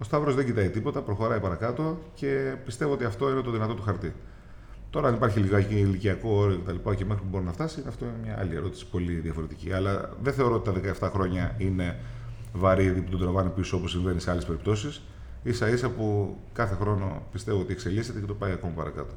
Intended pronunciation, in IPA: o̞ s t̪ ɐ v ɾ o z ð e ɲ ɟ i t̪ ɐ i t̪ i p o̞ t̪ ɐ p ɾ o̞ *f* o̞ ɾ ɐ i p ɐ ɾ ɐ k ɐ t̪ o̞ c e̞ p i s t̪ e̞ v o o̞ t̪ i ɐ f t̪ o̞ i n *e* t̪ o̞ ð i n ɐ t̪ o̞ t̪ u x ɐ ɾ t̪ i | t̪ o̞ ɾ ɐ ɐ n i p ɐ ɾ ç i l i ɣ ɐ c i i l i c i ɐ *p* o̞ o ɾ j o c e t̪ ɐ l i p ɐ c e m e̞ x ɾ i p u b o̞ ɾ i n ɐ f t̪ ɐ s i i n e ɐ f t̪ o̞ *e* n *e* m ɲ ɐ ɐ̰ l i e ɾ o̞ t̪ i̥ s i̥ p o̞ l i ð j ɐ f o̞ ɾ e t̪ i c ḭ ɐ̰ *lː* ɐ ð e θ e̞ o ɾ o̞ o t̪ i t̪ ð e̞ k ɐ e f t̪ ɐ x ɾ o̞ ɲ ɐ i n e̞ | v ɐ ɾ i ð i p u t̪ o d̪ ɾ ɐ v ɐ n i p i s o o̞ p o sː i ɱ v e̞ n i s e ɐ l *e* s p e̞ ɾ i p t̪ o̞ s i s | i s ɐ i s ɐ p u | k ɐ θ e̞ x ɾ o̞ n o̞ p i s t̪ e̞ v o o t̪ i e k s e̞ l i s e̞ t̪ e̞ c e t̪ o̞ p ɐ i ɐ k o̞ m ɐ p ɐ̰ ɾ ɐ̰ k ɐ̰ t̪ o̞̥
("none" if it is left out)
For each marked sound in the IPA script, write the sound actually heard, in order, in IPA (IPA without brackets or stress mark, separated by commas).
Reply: x, e, k, i, e, l, e